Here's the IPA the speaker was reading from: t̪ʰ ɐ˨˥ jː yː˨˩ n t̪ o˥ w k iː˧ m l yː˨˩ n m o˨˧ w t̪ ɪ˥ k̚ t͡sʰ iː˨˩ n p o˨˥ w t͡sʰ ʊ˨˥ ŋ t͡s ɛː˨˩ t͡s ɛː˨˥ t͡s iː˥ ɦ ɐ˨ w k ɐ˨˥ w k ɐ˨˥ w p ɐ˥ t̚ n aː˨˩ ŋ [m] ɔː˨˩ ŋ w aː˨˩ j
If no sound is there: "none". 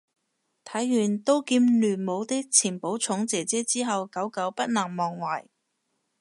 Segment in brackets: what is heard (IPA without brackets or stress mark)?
m